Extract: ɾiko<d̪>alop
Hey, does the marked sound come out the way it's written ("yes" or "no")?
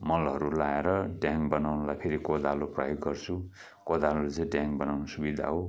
yes